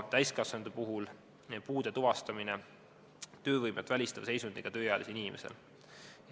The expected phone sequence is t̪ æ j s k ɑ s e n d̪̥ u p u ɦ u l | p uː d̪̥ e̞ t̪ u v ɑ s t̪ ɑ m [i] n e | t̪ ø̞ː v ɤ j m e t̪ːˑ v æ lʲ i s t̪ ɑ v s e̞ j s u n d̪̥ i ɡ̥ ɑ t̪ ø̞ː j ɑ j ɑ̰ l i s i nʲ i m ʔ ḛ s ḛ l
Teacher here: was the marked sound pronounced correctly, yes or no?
yes